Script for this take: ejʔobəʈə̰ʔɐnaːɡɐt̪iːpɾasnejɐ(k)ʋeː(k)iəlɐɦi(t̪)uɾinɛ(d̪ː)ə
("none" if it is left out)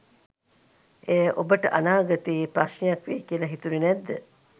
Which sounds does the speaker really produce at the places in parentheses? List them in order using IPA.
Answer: k, k, t̪, d̪ː

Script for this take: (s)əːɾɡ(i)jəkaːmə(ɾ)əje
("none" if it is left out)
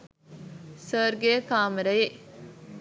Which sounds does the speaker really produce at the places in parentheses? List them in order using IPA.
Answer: s, e, ɾ

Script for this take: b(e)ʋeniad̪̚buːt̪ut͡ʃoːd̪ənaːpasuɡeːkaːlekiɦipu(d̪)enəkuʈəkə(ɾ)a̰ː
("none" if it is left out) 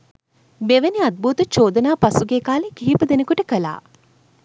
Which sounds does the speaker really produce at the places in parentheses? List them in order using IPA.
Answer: e, d̪, l

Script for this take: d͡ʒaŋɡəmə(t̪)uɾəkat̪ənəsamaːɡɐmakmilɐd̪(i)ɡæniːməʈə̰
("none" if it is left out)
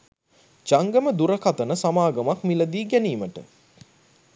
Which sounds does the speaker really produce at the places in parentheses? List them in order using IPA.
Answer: d̪, iː

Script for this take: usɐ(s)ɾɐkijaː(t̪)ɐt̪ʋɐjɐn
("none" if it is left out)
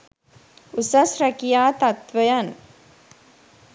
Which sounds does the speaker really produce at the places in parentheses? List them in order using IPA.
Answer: s, t̪

